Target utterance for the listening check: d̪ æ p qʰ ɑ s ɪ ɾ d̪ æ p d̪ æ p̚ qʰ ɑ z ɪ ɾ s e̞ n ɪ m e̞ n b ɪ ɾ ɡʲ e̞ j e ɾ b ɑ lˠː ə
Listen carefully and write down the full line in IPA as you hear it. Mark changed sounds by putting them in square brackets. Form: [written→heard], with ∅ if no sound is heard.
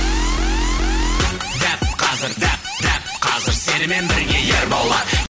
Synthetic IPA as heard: d̪ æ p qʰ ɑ [s→z] ɪ ɾ d̪ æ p d̪ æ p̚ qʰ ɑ z ɪ ɾ s e̞ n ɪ m e̞ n b ɪ ɾ ɡʲ e̞ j e ɾ b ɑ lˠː [ə→ɑ]